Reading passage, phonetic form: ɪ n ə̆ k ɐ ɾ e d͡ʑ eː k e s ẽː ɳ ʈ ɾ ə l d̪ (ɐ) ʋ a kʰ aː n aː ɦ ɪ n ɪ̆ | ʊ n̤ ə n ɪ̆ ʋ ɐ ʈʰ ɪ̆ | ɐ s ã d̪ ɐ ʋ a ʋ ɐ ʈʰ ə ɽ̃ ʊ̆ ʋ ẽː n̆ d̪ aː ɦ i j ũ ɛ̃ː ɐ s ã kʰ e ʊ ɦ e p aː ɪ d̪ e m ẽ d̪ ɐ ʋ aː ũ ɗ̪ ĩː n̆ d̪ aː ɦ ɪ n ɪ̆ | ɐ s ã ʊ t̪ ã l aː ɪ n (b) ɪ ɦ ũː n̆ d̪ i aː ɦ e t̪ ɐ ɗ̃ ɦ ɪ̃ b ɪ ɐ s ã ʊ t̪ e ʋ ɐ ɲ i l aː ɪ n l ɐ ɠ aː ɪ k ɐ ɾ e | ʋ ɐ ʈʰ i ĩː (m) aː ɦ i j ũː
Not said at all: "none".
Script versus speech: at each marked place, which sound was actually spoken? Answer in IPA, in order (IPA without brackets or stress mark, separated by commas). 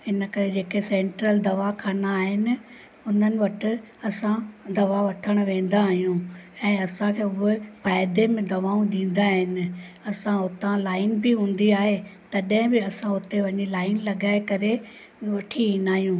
ɐ, b, n